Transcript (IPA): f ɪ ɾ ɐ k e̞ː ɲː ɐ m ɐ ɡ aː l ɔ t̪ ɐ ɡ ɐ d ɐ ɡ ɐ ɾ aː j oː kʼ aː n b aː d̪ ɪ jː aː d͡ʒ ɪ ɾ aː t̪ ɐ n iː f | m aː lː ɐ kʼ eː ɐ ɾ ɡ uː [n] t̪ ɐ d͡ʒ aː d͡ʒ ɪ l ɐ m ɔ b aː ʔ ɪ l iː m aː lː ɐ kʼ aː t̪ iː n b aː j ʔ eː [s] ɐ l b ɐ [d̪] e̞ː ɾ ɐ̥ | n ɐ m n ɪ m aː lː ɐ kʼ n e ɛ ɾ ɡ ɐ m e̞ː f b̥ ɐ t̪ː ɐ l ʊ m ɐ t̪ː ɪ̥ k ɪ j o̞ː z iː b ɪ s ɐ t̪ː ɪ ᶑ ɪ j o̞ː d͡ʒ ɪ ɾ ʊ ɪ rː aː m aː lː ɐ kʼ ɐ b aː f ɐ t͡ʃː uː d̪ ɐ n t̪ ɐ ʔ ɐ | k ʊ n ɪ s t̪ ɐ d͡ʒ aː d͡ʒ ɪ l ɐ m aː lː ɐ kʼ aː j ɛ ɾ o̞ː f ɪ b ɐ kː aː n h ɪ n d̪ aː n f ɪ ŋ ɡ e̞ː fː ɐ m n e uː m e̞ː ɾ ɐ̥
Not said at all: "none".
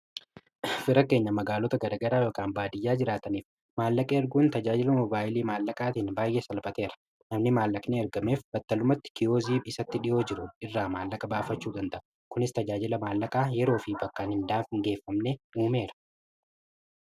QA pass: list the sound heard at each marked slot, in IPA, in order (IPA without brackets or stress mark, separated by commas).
n, s, t̪